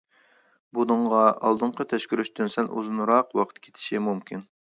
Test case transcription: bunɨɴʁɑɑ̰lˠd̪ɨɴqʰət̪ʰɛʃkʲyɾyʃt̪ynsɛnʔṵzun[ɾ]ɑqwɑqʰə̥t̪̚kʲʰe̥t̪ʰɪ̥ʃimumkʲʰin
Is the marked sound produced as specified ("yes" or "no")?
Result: yes